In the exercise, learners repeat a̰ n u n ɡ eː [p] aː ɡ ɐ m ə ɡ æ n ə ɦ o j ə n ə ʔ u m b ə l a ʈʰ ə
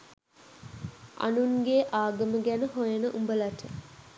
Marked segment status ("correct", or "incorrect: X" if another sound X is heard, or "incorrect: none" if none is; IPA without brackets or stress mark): incorrect: ʔ